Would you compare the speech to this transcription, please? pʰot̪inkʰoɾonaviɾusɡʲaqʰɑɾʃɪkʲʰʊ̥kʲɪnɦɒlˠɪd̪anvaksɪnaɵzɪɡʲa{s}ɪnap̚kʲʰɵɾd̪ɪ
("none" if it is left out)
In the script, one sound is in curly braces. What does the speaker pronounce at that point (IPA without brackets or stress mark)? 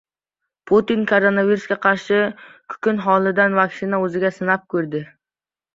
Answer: s